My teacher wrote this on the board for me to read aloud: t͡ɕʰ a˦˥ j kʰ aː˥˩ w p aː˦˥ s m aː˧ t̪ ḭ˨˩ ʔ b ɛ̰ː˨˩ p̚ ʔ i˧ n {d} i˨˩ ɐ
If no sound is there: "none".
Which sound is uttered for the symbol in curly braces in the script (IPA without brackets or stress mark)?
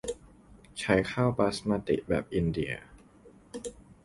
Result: d